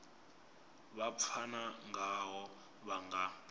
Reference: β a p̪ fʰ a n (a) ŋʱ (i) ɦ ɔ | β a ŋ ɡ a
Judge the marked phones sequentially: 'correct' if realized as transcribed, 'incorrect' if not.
correct, incorrect: a

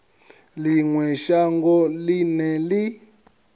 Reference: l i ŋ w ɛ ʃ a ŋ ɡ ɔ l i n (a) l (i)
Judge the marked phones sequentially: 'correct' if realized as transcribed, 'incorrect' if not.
incorrect: ɛ, correct

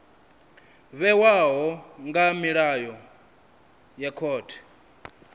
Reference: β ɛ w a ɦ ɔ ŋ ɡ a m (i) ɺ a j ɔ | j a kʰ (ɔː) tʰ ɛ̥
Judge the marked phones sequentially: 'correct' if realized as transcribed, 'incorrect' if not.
correct, correct

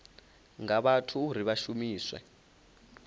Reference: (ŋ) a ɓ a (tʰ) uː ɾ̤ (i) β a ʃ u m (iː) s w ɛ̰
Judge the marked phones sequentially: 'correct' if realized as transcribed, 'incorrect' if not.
correct, correct, correct, correct

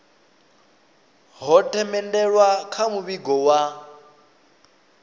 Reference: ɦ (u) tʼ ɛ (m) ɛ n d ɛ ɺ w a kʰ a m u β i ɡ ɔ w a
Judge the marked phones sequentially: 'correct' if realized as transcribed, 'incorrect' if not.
incorrect: ɔ, correct

